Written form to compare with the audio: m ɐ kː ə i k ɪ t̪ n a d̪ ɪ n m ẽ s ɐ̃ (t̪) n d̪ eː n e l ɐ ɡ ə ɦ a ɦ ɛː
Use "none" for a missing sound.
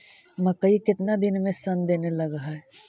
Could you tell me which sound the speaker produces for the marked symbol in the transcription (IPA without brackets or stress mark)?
none